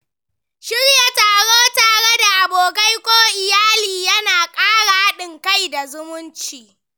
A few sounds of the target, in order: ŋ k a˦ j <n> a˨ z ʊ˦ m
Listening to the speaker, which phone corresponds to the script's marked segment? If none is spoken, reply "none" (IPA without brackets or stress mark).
d